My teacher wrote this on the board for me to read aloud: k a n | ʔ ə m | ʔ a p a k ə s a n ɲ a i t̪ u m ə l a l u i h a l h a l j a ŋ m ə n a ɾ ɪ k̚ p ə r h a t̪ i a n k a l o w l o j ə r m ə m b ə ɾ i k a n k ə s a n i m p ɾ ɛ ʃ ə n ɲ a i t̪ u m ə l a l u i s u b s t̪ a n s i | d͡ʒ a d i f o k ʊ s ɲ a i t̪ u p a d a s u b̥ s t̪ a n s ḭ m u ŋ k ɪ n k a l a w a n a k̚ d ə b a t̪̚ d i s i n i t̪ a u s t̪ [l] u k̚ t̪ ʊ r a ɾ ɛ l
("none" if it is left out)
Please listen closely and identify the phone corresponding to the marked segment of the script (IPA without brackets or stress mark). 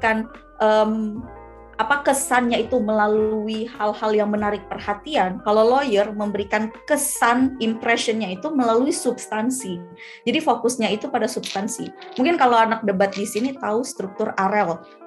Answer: ɾ